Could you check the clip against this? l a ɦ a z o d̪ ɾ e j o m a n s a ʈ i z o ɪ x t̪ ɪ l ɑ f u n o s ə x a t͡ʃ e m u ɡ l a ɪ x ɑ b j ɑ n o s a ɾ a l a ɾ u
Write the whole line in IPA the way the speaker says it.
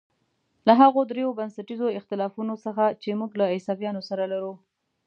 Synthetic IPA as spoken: l a ɦ a ɣ o d̪ ɾ e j o b a n s a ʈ i z o ɪ x t̪ ɪ l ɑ f u n o s ə x a t͡ʃ e m u ɡ l a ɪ s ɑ b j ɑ n o s a ɾ a l a ɾ u